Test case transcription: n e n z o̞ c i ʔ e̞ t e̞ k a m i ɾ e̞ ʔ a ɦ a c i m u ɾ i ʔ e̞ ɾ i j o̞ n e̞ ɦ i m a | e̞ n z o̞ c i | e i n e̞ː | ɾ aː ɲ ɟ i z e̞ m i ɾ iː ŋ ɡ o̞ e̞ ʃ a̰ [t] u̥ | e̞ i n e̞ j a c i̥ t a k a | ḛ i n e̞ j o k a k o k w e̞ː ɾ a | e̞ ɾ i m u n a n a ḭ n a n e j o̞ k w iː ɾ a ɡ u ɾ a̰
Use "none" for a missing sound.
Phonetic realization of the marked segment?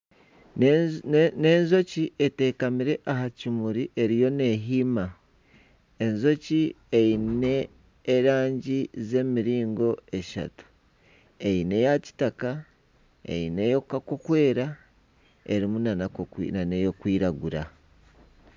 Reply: t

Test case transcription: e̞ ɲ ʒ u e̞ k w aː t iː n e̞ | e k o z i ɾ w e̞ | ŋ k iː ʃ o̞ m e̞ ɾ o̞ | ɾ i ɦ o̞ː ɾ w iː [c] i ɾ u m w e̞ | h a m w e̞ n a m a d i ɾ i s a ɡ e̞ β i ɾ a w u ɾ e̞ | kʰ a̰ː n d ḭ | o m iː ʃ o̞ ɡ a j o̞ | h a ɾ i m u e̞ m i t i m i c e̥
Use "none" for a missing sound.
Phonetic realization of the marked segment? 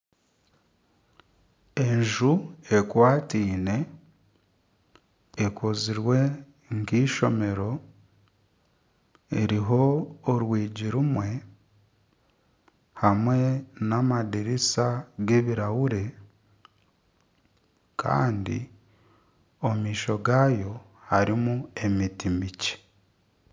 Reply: ɟ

